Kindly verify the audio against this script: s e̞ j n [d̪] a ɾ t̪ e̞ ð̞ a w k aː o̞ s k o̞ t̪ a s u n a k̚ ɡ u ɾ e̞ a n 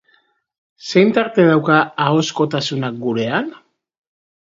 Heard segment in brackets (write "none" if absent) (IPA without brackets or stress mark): t̪